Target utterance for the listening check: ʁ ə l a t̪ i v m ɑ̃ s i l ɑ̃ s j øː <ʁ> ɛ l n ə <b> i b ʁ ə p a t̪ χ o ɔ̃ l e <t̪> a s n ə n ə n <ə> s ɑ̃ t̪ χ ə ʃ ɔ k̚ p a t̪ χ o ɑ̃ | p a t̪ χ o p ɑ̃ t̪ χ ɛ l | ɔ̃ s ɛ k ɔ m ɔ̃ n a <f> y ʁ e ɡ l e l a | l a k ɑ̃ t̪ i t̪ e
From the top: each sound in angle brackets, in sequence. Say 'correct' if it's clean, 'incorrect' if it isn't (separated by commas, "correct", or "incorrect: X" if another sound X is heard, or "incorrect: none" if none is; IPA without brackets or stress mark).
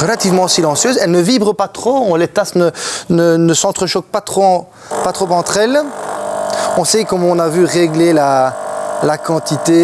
incorrect: z, incorrect: v, correct, correct, incorrect: v